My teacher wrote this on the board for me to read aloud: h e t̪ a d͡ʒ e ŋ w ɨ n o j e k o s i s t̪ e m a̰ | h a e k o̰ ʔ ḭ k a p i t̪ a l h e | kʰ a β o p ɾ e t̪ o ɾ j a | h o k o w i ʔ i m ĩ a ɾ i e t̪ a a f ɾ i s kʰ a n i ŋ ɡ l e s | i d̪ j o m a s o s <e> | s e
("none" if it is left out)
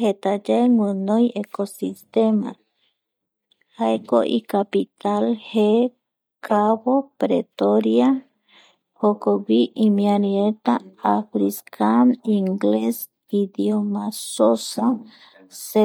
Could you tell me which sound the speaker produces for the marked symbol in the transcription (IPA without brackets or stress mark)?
a